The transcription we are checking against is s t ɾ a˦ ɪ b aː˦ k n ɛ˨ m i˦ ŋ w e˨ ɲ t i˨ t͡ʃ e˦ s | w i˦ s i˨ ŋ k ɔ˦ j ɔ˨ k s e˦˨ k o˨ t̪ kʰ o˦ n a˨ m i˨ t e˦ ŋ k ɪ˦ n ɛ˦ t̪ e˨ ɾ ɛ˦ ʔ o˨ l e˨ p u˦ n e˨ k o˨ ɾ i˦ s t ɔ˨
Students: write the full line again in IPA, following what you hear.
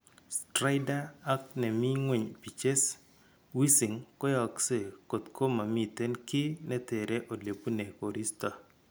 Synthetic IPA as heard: s t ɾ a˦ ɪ d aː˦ k n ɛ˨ m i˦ ŋ w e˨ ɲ p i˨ t͡ʃ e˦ s | w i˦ s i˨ ŋ k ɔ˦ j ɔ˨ k s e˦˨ k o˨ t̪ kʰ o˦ m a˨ m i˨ t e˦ n k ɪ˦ n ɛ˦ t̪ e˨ ɾ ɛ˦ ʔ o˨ l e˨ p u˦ n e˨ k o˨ ɾ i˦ s t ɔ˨